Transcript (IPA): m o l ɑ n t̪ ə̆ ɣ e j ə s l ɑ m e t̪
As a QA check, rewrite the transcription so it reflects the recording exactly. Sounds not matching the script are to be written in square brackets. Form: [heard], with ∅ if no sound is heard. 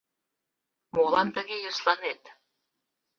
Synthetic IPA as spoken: m o l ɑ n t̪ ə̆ ɣ e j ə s l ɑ [n] e t̪